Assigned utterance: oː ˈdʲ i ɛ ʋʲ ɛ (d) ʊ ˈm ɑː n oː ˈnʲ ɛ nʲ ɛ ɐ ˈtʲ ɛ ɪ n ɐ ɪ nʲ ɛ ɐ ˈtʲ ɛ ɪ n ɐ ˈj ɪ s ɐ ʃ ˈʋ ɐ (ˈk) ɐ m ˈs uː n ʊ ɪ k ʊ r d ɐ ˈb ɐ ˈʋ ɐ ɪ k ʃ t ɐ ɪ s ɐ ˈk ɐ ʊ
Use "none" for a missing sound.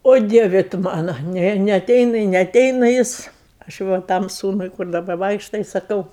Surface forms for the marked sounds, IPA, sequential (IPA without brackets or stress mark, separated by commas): t, t